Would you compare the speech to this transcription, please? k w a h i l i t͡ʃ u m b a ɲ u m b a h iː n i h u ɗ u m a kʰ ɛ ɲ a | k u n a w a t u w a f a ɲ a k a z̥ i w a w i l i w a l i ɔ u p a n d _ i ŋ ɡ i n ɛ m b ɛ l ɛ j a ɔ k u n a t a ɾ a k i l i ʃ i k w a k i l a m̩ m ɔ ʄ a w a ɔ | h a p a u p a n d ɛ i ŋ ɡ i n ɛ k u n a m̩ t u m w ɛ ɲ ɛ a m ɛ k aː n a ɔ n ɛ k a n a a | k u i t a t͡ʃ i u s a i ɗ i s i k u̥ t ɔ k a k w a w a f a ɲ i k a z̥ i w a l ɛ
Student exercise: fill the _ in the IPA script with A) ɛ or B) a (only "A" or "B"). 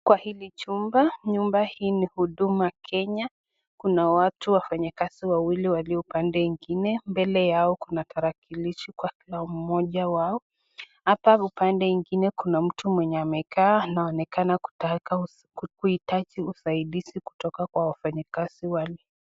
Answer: A